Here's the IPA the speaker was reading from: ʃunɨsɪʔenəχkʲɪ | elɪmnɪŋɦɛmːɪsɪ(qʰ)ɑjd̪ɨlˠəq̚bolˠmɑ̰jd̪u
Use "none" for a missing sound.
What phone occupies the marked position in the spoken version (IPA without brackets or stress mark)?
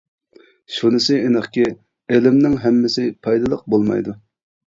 pʰ